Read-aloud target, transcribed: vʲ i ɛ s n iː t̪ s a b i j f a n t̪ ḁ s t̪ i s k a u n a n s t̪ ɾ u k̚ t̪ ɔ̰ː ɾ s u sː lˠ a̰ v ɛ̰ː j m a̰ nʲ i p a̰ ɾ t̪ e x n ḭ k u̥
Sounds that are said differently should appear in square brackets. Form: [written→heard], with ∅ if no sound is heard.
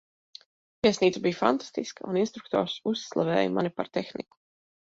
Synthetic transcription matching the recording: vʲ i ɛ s n iː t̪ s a b i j f a n t̪ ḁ s t̪ i s k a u n [a→i] n s t̪ ɾ u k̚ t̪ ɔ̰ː ɾ s u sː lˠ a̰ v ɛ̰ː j m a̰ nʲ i p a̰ ɾ t̪ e x n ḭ k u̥